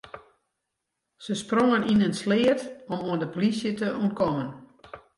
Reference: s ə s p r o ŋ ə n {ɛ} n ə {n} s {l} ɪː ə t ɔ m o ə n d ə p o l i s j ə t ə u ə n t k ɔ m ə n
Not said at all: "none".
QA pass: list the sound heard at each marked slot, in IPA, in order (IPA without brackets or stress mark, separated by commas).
i, n, l